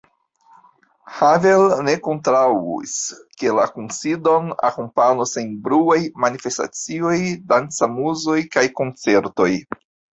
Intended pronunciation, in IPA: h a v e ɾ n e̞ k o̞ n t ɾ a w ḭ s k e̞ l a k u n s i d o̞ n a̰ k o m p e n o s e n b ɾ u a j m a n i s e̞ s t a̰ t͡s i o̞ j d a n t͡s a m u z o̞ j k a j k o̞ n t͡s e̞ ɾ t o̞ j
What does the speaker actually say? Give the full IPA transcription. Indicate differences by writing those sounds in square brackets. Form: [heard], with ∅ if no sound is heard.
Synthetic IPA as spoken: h a v e [l] n e̞ k o̞ n t ɾ a w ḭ s k e̞ l a k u n s i d o̞ n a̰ k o m p [a] n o s e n b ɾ u a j m a n i [f] e̞ s t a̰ t͡s i o̞ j d a n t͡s a m u z o̞ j k a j k o̞ n t͡s e̞ ɾ t o̞ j